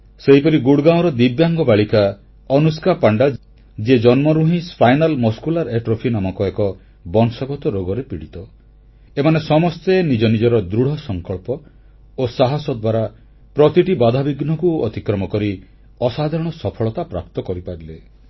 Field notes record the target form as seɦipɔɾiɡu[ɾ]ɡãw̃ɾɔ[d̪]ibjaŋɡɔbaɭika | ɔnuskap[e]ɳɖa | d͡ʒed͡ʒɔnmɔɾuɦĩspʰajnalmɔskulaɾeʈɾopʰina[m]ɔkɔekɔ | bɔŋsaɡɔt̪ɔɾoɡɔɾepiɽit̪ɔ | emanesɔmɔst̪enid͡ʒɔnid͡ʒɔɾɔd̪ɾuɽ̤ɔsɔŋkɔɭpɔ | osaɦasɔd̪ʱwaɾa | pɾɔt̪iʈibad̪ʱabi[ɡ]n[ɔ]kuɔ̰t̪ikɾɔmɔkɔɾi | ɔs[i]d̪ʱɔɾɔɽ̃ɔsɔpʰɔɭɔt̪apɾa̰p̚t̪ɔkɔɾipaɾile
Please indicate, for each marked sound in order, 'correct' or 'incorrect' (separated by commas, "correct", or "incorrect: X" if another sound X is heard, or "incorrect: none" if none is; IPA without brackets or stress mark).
incorrect: ɽ, correct, incorrect: a, correct, correct, correct, incorrect: a